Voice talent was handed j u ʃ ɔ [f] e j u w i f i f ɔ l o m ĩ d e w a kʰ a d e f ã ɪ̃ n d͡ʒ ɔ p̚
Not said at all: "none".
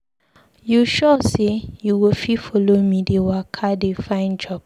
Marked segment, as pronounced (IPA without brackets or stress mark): s